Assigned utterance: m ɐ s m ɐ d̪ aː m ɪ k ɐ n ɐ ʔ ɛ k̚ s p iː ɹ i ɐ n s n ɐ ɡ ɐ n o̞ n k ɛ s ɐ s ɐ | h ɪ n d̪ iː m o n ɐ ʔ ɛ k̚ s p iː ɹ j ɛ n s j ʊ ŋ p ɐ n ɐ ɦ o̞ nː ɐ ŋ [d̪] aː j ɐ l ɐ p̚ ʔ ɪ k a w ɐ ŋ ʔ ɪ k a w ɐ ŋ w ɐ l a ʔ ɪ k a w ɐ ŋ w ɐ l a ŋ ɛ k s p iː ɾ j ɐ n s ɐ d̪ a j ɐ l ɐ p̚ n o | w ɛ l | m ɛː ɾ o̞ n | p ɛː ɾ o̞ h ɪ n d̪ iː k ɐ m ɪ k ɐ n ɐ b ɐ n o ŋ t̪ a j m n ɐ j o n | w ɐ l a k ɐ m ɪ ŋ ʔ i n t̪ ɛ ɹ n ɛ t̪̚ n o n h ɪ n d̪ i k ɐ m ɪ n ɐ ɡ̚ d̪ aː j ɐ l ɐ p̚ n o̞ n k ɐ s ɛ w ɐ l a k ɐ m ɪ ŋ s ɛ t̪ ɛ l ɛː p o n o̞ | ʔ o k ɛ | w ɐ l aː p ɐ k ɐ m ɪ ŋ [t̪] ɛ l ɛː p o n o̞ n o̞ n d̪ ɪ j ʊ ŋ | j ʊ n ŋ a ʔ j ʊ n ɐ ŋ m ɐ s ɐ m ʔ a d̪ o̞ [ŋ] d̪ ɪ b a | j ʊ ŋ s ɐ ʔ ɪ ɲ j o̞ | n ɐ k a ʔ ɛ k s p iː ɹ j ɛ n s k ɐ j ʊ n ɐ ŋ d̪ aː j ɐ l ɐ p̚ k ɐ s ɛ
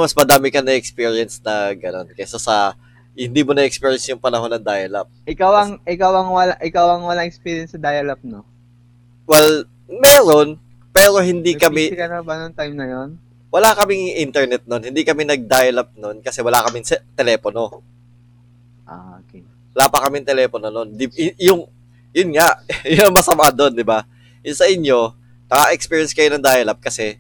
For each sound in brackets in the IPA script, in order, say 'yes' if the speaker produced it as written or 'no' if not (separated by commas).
yes, yes, no